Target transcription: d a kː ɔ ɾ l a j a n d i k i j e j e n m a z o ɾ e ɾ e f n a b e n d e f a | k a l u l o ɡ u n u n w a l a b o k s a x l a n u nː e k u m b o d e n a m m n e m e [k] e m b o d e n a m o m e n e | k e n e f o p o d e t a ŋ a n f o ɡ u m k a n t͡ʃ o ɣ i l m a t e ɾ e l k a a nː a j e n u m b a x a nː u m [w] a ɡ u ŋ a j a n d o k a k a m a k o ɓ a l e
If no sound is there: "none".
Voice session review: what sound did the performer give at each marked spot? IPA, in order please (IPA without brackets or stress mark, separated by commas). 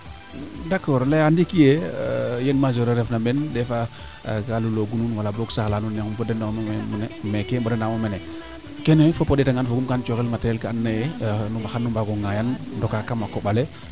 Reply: k, b